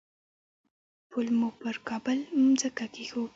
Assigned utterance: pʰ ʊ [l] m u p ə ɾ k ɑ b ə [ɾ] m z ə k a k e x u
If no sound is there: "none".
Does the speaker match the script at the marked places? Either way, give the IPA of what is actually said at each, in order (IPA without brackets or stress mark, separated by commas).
l, l